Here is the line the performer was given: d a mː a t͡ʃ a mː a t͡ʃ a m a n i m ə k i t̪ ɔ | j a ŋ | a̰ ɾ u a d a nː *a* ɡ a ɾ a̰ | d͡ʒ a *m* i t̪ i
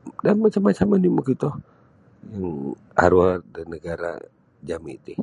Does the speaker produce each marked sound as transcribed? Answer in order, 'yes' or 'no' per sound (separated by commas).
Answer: no, yes